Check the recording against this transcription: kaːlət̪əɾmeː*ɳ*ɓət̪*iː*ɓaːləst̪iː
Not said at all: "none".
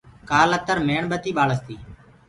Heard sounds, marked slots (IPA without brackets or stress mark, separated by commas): ɳ, iː